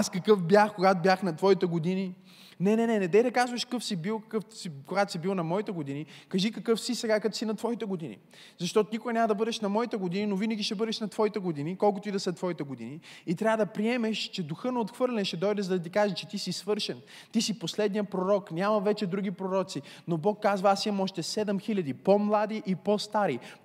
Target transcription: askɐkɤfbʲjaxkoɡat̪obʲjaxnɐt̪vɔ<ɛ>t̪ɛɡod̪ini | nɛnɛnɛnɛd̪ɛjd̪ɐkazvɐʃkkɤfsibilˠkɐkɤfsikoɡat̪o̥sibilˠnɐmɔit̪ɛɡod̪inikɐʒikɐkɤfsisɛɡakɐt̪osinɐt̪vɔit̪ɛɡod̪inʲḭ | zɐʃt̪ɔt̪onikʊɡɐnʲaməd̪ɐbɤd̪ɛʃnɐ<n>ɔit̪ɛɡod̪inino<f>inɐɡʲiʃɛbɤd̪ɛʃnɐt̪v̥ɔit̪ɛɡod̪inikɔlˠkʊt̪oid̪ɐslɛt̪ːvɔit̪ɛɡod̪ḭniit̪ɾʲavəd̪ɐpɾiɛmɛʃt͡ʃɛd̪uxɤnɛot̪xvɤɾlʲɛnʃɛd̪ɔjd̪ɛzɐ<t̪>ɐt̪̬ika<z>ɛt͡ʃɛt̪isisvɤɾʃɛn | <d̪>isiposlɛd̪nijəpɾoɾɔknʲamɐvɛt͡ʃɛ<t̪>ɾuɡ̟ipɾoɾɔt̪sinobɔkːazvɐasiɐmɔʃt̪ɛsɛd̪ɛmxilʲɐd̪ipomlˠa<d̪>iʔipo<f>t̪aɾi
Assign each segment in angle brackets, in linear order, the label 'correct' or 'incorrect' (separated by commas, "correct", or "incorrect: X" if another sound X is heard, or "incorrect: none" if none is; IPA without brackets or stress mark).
incorrect: i, incorrect: m, incorrect: v, incorrect: d̪, incorrect: ʒ, incorrect: t̪, incorrect: d̪, correct, incorrect: s